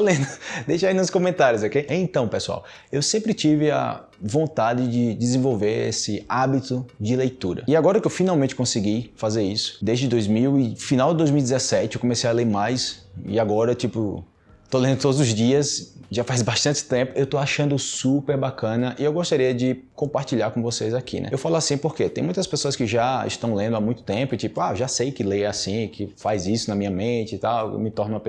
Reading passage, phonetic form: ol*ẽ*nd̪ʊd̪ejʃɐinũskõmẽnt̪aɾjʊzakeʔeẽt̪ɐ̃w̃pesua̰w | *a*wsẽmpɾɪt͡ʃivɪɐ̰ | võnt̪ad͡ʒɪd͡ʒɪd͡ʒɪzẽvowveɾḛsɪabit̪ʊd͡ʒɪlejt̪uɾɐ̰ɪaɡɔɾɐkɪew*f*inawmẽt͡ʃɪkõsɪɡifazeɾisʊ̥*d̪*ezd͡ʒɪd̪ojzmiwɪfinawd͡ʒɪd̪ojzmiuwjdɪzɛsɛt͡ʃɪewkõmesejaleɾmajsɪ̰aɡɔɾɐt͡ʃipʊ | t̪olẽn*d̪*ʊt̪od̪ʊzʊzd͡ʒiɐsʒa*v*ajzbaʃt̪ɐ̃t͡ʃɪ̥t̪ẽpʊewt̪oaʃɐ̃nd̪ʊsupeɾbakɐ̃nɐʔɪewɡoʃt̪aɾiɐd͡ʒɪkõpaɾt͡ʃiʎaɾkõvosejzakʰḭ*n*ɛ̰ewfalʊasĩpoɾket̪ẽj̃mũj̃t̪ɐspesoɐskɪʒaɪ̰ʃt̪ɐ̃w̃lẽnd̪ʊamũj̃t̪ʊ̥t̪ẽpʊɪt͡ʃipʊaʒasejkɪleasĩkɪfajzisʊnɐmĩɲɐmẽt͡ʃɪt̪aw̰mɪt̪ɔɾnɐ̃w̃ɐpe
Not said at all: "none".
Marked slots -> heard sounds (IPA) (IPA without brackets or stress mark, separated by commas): ẽ, e, f, d̪, d̪, f, n